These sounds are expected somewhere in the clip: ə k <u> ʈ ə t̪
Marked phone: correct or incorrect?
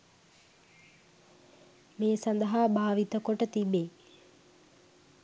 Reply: incorrect